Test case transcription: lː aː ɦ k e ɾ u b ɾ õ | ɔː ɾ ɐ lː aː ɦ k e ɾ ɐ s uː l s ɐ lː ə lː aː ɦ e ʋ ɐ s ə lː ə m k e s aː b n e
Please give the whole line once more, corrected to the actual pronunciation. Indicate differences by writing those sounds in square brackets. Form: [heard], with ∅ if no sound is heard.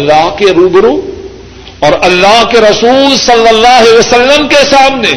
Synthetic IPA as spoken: lː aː ɦ k e ɾ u b ɾ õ | ɔː ɾ ɐ lː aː ɦ k e ɾ ɐ s uː l s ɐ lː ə lː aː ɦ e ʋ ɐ s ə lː ə m k e s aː [m] n e